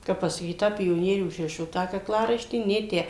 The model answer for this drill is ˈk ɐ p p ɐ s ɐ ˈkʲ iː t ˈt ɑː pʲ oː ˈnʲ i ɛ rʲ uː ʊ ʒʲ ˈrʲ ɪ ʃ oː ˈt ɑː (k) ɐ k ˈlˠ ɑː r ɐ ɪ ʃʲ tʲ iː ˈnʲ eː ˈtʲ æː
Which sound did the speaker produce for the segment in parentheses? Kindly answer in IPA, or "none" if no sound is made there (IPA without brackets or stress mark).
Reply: k